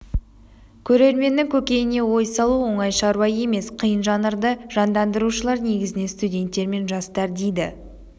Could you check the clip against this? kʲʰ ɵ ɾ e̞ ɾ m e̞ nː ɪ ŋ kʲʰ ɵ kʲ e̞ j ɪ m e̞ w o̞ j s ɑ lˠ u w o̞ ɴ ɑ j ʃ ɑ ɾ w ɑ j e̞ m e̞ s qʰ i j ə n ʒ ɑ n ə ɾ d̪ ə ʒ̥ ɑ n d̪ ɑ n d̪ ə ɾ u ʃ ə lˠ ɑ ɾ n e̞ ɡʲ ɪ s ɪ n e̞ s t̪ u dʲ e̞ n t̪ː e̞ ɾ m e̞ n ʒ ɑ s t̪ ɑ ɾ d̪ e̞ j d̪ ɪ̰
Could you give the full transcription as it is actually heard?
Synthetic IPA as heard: kʲʰ ɵ ɾ e̞ ɾ m e̞ nː ɪ ŋ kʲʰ ɵ kʲ e̞ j ɪ n e̞ w o̞ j s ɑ lˠ u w o̞ ɴ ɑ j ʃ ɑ ɾ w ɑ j e̞ m e̞ s qʰ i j ə n ʒ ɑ n ə ɾ d̪ ə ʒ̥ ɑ n d̪ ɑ n d̪ ə ɾ u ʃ ə lˠ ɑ ɾ n e̞ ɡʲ ɪ z ɪ n e̞ s t̪ u dʲ e̞ n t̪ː e̞ ɾ m e̞ n ʒ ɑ s t̪ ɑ ɾ d̪ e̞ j d̪ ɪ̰

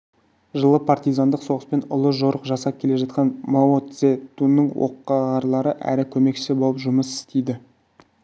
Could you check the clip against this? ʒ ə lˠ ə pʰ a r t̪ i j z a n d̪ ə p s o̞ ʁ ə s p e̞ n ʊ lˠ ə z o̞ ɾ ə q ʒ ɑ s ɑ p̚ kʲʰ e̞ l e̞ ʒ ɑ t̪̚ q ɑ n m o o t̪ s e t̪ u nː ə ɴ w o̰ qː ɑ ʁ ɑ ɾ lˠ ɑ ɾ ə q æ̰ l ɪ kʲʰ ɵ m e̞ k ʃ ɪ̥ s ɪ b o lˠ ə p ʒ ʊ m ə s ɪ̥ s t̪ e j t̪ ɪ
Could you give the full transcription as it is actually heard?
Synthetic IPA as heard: ʒ ə lˠ ə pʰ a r t̪ i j z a n d̪ ə q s o̞ ʁ ə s p e̞ n ʊ lˠ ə ʒ o̞ ɾ ə q ʒ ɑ s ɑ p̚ kʲʰ e̞ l e̞ ʒ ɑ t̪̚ q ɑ n m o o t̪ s e t̪ u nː ə ɴ w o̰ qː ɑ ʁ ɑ ɾ lˠ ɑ ɾ ə ʔ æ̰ ɾ ɪ kʲʰ ɵ m e̞ k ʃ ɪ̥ s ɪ b o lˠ ə p ʒ ʊ m ə s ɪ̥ s t̪ e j d̪ ɪ

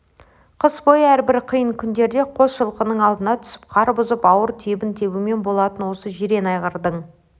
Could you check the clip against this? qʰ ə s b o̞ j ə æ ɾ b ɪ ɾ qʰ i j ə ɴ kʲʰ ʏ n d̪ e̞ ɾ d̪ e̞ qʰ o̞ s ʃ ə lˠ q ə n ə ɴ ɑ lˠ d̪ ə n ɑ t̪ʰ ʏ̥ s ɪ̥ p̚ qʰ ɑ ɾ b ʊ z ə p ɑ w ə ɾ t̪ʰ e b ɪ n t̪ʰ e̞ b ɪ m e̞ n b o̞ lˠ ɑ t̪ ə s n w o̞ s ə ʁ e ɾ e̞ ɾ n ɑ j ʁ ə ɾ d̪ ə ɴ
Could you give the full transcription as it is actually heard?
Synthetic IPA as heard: qʰ ə s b o̞ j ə æ ɾ b ɪ ɾ qʰ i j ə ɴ kʲʰ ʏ n d̪ e̞ ɾ d̪ e̞ qʰ o̞ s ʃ ə lˠ q ə n ə ɴ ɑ lˠ d̪ ə n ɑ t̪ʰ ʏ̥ s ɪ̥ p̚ qʰ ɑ ɾ b ʊ z ə p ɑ w ə ɾ t̪ʰ e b ɪ n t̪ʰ e̞ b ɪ m e̞ n b o̞ lˠ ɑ t̪ ə n w o̞ s ə ʒ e ɾ e̞ n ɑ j ʁ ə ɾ d̪ ə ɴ

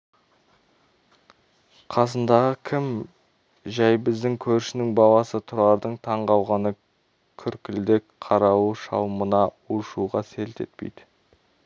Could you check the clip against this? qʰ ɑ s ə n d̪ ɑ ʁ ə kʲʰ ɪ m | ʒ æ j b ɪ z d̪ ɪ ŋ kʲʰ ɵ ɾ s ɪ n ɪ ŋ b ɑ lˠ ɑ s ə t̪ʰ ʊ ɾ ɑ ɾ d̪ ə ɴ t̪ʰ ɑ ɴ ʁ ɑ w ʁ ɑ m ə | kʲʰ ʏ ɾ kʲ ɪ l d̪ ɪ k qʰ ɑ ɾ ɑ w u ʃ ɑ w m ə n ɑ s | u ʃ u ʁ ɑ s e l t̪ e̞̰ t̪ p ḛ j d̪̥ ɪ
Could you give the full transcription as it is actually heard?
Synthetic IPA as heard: qʰ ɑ s ə n d̪ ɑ ʁ ə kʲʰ ɪ m | ʒ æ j b ɪ z d̪ ɪ ŋ kʲʰ ɵ ɾ ʃ ɪ n ɪ ŋ b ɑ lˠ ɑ s ə t̪ʰ ʊ ɾ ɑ ɾ d̪ ə ɴ t̪ʰ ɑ ɴ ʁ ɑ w ʁ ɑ n ə | kʲʰ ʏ ɾ kʲ ɪ l d̪ ɪ k qʰ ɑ ɾ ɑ w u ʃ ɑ w m ə n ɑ | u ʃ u ʁ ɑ s e l t̪ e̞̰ t̪ p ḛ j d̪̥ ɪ

